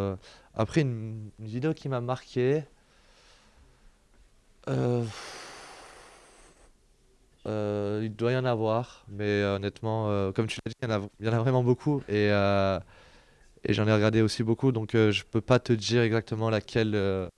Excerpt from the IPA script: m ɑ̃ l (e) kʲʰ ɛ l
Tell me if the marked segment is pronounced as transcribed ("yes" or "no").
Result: no